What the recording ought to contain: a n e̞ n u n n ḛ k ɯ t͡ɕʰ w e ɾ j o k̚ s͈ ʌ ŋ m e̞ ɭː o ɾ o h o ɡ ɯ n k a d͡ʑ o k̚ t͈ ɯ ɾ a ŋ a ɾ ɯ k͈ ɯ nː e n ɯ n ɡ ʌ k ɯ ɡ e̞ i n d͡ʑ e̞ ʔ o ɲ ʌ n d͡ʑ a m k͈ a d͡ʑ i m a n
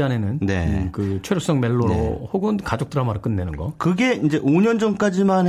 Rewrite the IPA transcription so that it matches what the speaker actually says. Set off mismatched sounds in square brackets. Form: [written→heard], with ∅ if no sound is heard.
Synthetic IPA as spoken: a n e̞ n [u→ɯ] n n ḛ k ɯ t͡ɕʰ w e ɾ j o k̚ s͈ ʌ ŋ m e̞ ɭː o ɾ o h o ɡ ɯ n k a d͡ʑ o k̚ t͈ ɯ ɾ a [ŋ→m] a ɾ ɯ k͈ ɯ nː e n ɯ n ɡ ʌ k ɯ ɡ e̞ i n d͡ʑ e̞ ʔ o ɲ ʌ n d͡ʑ [a→ʌ] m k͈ a d͡ʑ i m a n